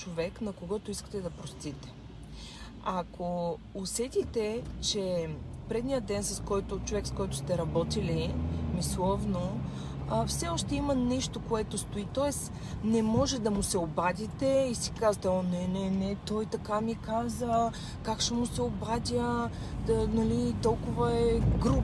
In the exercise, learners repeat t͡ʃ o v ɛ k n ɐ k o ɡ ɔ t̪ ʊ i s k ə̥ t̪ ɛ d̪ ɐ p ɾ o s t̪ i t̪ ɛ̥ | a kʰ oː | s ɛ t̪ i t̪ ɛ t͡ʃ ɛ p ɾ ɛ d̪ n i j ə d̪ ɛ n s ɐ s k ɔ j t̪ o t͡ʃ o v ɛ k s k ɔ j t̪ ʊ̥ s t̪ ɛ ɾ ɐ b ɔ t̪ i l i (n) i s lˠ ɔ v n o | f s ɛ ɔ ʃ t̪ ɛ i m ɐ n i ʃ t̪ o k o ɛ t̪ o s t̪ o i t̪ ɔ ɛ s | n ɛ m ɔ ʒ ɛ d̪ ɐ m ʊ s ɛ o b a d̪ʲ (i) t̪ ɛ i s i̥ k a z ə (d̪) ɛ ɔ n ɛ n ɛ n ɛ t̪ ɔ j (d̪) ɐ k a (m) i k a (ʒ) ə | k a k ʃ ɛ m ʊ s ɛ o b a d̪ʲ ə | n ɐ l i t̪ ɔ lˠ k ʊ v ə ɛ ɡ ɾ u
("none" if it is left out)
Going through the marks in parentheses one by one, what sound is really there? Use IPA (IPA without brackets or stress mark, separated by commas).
m, i, t̪, t̪, m, z